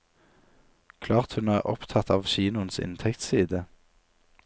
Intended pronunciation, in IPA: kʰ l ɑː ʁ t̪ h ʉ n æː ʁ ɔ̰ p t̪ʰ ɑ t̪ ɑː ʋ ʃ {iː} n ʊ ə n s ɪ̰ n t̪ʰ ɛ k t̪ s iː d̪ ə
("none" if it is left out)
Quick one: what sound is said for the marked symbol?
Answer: iː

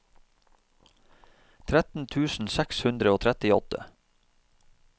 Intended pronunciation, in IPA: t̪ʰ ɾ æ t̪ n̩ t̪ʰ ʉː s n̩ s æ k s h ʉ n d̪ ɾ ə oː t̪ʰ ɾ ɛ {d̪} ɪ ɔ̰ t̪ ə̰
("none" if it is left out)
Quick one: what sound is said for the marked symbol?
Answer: t̪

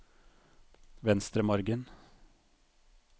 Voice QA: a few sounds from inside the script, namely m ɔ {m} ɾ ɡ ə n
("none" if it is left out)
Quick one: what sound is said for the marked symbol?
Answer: none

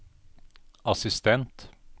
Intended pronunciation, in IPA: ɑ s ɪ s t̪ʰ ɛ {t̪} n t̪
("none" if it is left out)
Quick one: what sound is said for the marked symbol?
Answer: none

